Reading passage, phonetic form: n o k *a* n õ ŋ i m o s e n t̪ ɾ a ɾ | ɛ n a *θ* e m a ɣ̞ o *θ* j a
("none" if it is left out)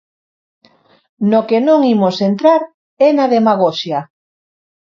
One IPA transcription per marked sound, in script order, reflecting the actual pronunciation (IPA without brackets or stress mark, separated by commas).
e, ð, ʃ